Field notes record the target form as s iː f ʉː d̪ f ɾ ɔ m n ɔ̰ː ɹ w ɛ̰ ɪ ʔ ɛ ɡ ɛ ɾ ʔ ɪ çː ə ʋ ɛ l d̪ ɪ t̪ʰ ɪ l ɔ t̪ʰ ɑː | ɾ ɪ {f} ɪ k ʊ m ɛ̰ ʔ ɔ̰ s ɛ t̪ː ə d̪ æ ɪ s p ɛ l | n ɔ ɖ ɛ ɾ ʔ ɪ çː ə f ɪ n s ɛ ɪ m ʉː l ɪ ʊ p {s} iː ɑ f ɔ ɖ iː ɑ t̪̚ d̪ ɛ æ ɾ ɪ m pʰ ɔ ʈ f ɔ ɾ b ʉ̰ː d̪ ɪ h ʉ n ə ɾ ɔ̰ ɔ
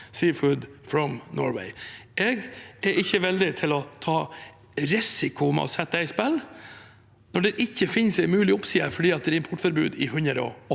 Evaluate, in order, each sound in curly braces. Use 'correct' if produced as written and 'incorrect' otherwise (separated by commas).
incorrect, correct